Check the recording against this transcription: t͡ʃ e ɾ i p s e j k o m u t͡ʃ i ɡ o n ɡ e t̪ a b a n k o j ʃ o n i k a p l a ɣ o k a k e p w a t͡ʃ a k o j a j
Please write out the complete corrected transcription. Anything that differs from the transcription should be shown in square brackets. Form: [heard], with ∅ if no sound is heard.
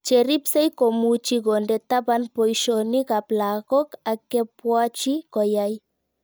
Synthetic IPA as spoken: t͡ʃ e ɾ i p s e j k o m u t͡ʃ i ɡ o n [d] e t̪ a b a n [p] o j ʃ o n i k a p l a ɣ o k a k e p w a t͡ʃ [i] k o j a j